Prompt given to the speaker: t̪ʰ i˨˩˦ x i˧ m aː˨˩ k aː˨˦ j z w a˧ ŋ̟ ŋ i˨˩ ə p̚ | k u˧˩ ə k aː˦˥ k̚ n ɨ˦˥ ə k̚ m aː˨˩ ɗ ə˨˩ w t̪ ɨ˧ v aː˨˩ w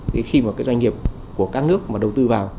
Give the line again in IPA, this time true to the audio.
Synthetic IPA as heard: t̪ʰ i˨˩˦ x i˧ m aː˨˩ k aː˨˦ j z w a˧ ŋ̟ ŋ i˨˩ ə p̚ | k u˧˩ ə k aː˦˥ k̚ n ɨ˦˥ ə k̚ m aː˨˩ ɗ ə˨˩ w t̪ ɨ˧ v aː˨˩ w

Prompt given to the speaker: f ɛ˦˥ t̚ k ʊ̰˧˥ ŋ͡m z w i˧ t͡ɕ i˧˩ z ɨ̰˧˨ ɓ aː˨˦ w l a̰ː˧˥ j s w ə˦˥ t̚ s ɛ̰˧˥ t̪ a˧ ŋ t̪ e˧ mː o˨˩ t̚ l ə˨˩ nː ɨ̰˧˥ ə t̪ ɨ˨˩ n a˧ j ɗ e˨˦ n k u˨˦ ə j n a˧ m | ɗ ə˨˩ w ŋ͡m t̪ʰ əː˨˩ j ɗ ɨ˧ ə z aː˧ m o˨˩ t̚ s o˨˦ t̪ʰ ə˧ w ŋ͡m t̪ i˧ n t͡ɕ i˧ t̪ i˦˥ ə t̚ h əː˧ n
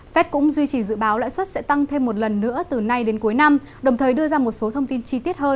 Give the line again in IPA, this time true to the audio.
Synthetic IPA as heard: f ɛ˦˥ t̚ k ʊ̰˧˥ ŋ͡m z w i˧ t͡ɕ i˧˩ z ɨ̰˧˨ ɓ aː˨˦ w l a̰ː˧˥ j s w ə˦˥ t̚ s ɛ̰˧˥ t̪ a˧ ŋ t̪ʰ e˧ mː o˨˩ t̚ l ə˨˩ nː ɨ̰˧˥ ə t̪ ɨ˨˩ n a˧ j ɗ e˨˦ n k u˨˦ ə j n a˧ m | ɗ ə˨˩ w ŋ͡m t̪ʰ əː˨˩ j ɗ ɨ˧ ə z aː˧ m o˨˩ t̚ s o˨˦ t̪ʰ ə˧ w ŋ͡m t̪ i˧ n t͡ɕ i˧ t̪ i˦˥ ə t̚ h əː˧ n

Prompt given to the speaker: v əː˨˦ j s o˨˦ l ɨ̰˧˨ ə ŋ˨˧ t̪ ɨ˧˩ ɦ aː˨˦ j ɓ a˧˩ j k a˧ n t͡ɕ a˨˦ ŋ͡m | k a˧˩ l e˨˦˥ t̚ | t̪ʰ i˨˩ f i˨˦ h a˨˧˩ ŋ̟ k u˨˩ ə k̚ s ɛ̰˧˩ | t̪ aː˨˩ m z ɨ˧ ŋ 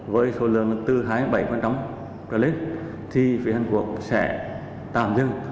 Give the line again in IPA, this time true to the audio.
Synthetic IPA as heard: v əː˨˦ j s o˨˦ l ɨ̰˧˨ ə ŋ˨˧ t̪ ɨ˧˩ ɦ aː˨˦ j ɓ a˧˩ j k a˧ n t͡ɕ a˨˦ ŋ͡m | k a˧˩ l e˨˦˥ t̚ | t̪ʰ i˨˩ f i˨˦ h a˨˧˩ ŋ̟ k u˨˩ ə k̚ s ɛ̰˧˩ | t̪ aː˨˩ m z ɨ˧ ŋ

